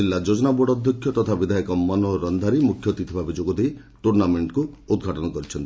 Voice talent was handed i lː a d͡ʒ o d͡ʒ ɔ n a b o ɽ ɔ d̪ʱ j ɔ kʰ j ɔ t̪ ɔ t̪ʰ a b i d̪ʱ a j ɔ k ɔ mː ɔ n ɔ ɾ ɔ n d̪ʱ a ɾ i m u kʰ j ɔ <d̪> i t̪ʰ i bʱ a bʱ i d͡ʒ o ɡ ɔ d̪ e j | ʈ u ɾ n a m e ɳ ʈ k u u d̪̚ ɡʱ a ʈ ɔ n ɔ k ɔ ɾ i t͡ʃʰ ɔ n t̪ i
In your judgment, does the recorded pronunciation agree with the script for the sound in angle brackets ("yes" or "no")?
no